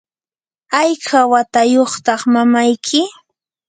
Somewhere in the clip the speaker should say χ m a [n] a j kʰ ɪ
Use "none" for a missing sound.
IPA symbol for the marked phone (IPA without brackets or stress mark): m